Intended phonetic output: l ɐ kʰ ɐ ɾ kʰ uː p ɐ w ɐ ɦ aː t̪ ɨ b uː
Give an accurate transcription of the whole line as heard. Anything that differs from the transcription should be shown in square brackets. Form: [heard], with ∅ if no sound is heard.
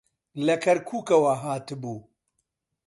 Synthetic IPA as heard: l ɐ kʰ ɐ ɾ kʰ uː [k] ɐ w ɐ ɦ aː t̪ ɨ b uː